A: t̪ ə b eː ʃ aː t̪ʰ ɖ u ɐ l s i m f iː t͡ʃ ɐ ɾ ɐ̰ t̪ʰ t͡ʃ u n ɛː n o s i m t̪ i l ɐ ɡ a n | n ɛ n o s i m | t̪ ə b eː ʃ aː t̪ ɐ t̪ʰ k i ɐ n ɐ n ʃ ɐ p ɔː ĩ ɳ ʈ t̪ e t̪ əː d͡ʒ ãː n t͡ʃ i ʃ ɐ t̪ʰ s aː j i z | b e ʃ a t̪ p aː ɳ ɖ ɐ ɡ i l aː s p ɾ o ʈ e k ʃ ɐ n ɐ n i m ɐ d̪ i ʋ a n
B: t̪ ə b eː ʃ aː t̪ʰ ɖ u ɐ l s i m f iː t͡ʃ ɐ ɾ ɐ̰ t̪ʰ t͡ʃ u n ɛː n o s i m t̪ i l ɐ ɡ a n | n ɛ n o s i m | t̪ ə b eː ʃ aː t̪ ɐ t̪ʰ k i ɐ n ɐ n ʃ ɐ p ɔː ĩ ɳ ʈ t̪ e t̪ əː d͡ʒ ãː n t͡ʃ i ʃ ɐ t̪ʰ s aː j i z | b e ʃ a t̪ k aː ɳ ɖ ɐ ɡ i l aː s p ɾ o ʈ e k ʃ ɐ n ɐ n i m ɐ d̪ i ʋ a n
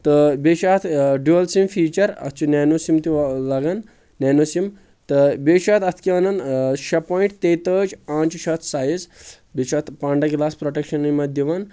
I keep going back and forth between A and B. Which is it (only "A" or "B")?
A